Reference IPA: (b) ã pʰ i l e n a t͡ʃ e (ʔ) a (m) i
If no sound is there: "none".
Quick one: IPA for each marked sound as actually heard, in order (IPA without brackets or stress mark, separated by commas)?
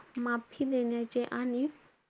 m, ʔ, n